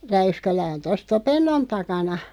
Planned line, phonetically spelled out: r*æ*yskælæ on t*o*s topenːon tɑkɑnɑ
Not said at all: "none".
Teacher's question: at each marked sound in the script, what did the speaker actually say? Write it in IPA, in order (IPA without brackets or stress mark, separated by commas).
æ, o